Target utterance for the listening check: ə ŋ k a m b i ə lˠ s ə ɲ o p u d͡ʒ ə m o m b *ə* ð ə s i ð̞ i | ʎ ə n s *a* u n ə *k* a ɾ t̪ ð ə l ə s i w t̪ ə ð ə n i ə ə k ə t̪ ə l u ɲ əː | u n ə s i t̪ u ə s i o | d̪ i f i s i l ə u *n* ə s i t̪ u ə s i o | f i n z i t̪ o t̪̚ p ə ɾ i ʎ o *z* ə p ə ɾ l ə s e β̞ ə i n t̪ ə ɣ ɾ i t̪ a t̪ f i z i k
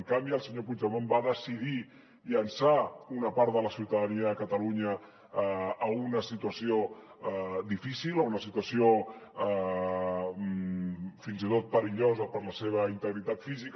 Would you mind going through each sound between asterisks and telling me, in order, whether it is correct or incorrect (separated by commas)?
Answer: incorrect, correct, incorrect, correct, correct